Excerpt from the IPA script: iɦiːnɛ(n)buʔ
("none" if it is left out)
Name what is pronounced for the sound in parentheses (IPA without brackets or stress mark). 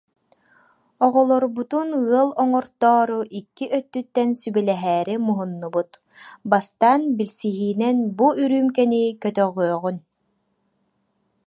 n